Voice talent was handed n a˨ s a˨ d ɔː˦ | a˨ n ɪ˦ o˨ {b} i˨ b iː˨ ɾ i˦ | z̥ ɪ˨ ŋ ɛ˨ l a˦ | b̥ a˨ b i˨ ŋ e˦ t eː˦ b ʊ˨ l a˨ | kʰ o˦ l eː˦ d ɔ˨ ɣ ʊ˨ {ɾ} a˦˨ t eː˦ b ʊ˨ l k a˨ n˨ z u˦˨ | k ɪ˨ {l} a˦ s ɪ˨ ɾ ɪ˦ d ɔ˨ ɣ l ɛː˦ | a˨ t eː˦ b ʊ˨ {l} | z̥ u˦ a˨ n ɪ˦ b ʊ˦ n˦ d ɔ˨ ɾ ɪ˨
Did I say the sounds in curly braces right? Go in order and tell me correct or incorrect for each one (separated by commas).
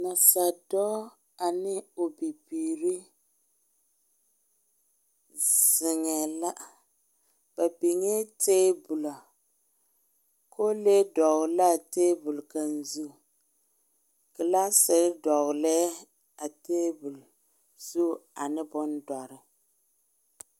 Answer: correct, incorrect, correct, correct